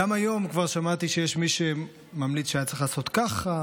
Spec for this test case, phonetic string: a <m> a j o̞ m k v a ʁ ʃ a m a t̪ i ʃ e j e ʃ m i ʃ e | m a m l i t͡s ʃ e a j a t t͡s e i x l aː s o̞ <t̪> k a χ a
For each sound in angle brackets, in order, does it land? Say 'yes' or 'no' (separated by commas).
yes, yes